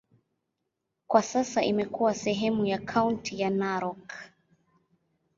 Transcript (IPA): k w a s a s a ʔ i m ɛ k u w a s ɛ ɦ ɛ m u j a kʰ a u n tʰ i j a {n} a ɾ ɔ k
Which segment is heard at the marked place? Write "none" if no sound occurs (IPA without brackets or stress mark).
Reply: n